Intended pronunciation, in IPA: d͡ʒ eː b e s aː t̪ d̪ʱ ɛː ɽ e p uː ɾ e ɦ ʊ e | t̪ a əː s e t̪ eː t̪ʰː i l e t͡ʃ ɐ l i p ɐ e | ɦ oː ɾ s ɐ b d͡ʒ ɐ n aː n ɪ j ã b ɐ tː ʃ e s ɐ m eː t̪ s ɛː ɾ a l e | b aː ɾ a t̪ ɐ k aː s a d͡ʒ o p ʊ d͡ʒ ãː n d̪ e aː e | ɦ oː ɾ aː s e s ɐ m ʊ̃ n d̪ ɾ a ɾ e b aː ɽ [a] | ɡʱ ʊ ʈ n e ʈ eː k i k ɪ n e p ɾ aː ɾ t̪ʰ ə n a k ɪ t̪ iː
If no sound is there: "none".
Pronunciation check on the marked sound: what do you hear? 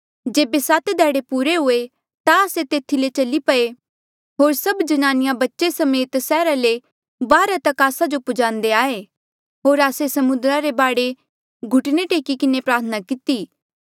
e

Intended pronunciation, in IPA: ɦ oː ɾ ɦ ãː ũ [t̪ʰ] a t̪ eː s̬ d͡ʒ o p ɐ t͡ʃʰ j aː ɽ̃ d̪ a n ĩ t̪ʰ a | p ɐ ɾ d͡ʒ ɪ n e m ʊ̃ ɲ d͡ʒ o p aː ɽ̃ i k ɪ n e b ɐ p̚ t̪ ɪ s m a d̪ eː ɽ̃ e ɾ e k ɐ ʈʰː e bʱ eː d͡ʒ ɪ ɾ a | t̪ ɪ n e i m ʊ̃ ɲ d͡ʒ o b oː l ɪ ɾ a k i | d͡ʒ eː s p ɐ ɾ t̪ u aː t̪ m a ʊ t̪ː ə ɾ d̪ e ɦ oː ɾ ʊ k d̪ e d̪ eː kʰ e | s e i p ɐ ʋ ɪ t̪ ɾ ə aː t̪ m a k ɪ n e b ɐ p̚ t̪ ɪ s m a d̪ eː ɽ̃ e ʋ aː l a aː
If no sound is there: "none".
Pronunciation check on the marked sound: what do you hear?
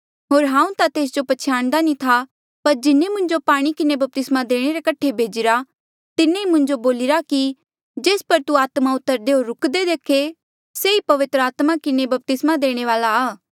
t̪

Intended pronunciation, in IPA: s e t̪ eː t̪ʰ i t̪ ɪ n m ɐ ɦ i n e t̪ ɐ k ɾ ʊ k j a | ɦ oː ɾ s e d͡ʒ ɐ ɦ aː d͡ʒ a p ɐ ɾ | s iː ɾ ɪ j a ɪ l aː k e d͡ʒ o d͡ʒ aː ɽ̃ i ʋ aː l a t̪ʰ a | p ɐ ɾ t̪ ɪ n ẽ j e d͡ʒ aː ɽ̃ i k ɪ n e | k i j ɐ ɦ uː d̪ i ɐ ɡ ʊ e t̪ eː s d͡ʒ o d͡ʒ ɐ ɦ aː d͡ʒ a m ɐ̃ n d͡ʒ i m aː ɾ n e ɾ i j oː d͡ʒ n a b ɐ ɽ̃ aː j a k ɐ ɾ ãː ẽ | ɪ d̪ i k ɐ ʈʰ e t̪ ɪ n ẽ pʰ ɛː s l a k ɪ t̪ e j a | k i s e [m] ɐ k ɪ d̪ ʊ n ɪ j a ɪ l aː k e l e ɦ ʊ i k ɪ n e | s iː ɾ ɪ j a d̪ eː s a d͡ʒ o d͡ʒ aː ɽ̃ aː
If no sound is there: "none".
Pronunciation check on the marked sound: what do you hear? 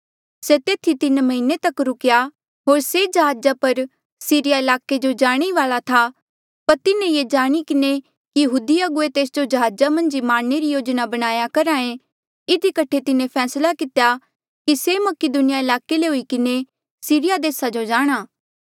m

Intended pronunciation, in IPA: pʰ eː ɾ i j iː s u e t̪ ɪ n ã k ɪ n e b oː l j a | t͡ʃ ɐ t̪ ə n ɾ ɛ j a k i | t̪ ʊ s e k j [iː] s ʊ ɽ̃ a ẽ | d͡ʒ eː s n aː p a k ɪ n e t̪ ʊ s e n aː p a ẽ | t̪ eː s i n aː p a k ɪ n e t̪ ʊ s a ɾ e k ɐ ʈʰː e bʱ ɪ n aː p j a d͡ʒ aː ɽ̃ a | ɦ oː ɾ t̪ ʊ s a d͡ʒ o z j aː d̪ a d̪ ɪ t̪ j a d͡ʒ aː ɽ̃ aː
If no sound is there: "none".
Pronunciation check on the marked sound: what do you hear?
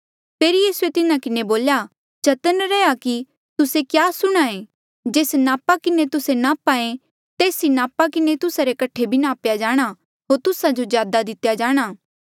aː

